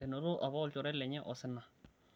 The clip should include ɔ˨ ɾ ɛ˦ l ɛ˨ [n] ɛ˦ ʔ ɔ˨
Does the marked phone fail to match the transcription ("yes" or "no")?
yes